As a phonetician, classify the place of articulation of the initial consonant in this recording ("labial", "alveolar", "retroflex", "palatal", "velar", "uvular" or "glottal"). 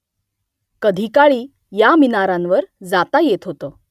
velar